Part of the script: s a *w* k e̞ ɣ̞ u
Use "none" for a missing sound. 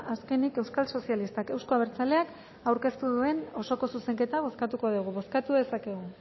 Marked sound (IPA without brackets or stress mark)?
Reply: none